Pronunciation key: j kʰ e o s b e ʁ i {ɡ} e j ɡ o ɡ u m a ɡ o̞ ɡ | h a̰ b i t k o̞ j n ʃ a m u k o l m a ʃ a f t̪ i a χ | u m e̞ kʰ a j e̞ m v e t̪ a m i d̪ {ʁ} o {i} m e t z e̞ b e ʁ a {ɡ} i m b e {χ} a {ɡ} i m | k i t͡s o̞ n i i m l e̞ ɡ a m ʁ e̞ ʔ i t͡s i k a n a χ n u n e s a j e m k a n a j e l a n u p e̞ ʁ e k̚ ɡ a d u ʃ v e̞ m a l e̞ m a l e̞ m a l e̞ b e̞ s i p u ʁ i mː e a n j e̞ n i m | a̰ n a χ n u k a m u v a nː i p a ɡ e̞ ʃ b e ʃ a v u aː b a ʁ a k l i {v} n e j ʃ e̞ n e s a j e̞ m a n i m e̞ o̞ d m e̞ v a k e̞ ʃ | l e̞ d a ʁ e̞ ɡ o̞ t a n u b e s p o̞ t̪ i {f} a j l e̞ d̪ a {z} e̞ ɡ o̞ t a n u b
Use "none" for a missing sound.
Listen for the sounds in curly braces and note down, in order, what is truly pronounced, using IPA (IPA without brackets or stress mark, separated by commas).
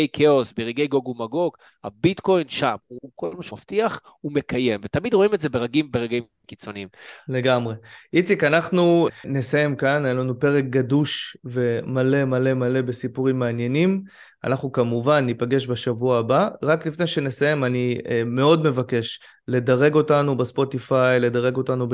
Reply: ɡ, ʁ, i, ɡ, ʁ, ɡ, f, f, ʁ